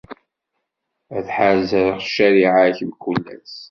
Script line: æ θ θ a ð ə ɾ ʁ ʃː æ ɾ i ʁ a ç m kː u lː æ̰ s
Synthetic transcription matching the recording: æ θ ħ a z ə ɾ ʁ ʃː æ ɾ i ʕ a ç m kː u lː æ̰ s